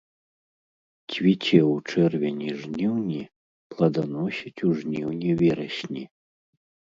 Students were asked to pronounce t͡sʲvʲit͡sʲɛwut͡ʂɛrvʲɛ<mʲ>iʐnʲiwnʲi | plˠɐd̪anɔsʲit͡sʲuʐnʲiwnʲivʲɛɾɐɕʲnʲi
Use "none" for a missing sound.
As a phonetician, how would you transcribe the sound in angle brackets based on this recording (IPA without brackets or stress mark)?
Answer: nʲ